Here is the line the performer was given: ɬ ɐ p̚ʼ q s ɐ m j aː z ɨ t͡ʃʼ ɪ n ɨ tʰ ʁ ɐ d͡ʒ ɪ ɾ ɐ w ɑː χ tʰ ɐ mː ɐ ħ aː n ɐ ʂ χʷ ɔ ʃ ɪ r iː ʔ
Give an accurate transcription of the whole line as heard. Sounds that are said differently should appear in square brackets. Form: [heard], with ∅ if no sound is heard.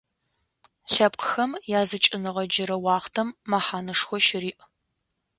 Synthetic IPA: ɬ ɐ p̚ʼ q [x] ɐ m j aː z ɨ t͡ʃʼ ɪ n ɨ [∅] ʁ ɐ d͡ʒ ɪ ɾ ɐ w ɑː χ tʰ ɐ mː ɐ ħ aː n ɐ ʂ [xʷ] ɔ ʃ ɪ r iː ʔ